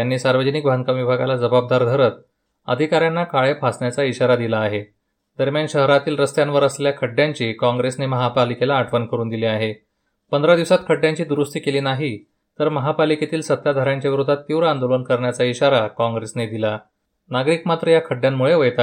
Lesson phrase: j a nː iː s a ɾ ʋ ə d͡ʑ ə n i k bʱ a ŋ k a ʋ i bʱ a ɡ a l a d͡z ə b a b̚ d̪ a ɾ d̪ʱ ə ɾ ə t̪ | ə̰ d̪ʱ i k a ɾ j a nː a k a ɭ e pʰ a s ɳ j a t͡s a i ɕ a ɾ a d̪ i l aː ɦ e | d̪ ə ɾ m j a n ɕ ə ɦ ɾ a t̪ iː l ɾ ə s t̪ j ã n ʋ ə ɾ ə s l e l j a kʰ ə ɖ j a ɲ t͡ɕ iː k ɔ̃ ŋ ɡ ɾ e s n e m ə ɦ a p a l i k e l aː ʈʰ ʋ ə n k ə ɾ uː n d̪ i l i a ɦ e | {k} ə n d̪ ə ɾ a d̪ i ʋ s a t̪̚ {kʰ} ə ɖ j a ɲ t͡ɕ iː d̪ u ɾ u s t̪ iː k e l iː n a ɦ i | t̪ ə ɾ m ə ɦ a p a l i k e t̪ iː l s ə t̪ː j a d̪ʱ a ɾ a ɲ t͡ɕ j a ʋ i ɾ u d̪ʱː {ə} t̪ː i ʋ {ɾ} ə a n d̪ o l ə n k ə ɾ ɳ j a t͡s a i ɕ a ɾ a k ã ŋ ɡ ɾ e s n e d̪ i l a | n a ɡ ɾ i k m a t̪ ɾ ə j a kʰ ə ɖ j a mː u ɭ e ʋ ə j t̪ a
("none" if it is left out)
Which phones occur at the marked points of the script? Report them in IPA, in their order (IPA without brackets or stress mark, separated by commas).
p, kʰ, a, ɾ